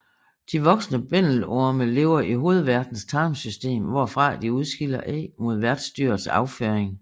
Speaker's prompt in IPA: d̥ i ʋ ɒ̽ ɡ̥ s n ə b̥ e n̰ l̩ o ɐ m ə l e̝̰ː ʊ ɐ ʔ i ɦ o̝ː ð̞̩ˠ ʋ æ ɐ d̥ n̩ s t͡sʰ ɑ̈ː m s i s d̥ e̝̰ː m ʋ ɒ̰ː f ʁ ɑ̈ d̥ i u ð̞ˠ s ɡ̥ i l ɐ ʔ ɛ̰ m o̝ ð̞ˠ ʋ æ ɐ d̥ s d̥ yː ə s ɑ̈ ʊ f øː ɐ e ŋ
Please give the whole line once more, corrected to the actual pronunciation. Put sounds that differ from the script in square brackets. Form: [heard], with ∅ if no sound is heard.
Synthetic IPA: d̥ i ʋ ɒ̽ ɡ̥ s n ə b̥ e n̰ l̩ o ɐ m ə l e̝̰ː ʊ ɐ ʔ i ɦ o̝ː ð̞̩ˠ ʋ æ ɐ d̥ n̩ s t͡sʰ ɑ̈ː m s [y] s d̥ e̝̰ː m ʋ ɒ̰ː f ʁ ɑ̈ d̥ i u ð̞ˠ s ɡ̥ i l ɐ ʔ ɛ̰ m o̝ ð̞ˠ ʋ æ ɐ d̥ s d̥ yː [ɐ] s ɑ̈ ʊ f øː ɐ e ŋ